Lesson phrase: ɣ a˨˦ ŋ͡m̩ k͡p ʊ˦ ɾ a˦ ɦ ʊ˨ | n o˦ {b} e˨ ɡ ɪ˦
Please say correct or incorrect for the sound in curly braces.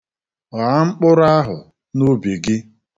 correct